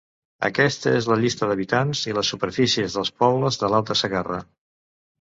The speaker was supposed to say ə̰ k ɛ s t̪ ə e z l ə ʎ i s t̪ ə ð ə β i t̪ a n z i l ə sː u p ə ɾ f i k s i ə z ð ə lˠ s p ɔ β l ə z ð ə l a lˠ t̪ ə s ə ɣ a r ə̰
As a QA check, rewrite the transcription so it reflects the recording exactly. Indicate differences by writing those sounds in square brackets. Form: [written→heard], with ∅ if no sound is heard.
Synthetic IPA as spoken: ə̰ k ɛ s t̪ ə e z l ə ʎ i s t̪ ə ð ə β i t̪ a n z i l ə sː u p ə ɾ f i [k→∅] s i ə z ð ə lˠ s p ɔ β l ə z ð ə l a lˠ t̪ ə s ə ɣ a r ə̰